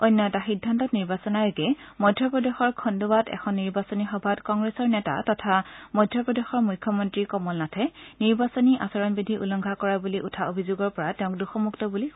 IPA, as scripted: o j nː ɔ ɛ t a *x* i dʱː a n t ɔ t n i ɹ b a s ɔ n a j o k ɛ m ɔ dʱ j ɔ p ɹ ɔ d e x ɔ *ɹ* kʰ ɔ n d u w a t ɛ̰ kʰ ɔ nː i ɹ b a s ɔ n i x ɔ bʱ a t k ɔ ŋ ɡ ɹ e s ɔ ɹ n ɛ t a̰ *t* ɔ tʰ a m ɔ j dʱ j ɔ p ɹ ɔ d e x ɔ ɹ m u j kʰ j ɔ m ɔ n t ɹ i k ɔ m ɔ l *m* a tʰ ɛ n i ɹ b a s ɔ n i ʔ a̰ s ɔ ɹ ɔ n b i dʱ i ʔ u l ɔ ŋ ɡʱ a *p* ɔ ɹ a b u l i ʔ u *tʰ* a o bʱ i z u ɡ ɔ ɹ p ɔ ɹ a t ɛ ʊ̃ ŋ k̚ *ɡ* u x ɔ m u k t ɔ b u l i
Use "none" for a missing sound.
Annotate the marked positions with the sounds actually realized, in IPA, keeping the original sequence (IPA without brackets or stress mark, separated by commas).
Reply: x, ɹ, t, n, k, tʰ, d